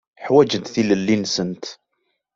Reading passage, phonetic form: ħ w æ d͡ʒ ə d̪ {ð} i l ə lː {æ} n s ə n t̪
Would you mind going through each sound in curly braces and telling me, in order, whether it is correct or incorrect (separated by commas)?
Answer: incorrect, incorrect